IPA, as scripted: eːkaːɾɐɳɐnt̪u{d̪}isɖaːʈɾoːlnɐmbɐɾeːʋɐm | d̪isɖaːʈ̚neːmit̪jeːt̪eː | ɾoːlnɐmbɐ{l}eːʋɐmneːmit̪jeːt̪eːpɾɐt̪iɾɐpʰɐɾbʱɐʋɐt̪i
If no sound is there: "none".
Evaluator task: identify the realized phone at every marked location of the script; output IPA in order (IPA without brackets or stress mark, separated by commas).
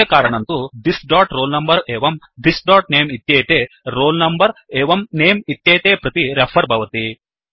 d̪, ɾ